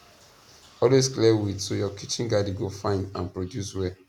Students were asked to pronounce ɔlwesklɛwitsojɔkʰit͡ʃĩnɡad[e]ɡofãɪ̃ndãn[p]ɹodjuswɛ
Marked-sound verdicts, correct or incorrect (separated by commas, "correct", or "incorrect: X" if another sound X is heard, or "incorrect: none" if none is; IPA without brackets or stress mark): incorrect: i, correct